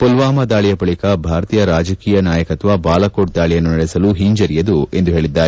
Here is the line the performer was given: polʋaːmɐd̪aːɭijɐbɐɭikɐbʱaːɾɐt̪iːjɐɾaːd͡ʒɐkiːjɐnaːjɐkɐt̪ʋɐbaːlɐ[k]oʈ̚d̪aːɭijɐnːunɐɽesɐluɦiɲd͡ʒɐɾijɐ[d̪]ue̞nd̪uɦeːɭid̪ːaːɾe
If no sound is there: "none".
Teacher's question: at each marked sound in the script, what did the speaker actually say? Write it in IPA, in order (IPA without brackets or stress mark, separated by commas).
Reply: k, d̪